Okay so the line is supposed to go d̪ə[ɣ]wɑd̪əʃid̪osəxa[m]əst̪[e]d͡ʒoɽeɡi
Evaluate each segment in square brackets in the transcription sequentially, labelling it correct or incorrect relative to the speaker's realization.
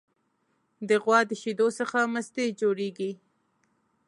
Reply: correct, correct, correct

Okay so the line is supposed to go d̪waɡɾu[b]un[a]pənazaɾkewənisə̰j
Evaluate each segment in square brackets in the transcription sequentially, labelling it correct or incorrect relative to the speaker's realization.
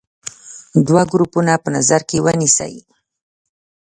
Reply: incorrect, correct

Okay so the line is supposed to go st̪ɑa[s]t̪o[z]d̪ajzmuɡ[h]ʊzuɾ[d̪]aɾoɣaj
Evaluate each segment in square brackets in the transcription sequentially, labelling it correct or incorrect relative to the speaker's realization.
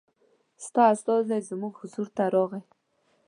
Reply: correct, correct, correct, incorrect

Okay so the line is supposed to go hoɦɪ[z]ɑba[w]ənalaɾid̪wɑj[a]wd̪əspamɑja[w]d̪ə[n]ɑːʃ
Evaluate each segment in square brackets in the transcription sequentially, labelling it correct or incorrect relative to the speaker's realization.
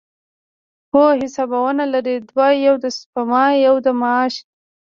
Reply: incorrect, correct, correct, correct, incorrect

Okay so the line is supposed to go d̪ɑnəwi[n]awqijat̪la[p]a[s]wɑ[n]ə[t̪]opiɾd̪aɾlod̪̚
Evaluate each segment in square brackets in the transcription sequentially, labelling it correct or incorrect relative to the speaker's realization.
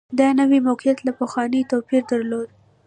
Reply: incorrect, correct, incorrect, correct, correct

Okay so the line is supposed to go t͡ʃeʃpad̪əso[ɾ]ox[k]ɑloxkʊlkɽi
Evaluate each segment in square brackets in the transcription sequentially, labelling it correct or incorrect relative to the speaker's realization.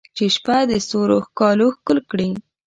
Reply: correct, correct

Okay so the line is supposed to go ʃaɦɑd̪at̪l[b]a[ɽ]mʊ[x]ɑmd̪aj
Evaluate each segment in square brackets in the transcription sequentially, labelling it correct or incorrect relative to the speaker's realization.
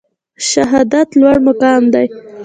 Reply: incorrect, correct, incorrect

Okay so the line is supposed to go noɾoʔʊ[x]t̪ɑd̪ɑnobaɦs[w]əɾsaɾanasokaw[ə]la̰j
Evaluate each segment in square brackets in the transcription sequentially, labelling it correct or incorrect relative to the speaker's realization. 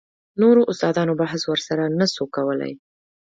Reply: incorrect, correct, correct

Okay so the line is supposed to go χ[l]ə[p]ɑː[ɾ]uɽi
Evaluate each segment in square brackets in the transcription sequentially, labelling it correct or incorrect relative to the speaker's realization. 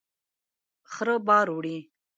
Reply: incorrect, incorrect, correct

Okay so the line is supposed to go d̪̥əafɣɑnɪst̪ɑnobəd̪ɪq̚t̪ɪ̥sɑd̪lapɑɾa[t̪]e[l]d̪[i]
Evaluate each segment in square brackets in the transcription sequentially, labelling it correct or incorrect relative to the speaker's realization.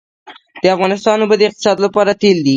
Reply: correct, correct, correct

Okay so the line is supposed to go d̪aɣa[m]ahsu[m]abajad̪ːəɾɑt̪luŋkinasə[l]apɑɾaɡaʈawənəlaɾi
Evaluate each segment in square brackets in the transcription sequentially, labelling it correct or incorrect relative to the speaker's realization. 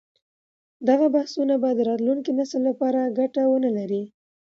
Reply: incorrect, incorrect, incorrect

